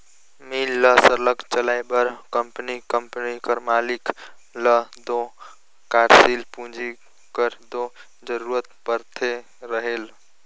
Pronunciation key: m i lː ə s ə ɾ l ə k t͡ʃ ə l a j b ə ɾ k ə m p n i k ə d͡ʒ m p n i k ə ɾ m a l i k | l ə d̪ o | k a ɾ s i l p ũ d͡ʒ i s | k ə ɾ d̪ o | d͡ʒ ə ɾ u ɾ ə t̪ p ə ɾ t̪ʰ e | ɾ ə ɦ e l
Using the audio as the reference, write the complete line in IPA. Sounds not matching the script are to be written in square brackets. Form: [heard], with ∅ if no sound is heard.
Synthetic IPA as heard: m i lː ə s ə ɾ l ə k t͡ʃ ə l a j b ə ɾ k ə m p n i k ə [∅] m p n i k ə ɾ m a l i k | l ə d̪ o | k a ɾ s i l p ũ d͡ʒ i [∅] | k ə ɾ d̪ o | d͡ʒ ə ɾ u ɾ ə t̪ p ə ɾ t̪ʰ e | ɾ ə ɦ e l